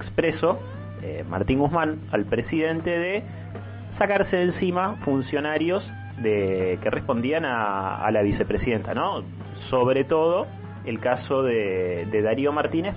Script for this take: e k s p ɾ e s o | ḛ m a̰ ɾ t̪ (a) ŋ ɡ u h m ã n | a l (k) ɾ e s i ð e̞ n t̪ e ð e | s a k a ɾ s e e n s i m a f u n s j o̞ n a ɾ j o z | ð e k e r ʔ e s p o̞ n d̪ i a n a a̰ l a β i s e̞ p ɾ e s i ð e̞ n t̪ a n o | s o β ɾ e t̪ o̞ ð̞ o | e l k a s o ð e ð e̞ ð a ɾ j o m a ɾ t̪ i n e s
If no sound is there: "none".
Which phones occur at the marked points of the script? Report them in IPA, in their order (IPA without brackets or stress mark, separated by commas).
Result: i, p